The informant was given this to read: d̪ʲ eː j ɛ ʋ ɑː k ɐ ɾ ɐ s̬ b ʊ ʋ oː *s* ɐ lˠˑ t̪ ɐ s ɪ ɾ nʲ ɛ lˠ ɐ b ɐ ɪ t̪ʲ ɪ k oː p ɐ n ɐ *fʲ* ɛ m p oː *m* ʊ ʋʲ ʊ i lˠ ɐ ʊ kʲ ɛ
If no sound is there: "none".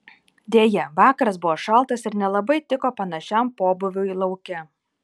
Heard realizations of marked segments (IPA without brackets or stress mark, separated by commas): ʃ, ʃʲ, b